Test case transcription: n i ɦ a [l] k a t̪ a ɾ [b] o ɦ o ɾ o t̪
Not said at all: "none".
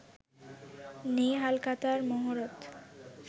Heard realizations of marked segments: l, m

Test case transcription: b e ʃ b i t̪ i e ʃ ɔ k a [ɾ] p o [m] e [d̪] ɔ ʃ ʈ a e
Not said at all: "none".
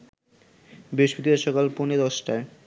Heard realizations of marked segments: l, n, d̪

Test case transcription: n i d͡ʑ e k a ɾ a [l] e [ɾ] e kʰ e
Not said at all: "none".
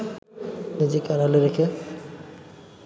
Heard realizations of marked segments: l, ɾ

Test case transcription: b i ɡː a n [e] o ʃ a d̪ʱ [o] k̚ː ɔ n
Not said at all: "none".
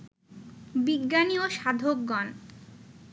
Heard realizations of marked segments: i, o

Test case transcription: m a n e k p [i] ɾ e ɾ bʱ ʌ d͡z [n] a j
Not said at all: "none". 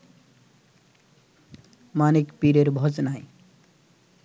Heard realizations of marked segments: i, n

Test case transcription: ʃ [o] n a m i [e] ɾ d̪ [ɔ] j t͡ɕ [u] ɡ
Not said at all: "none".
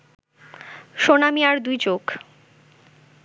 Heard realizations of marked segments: o, a, u, o

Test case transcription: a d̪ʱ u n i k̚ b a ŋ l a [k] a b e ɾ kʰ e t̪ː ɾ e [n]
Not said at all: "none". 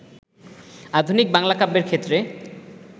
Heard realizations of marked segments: k, none

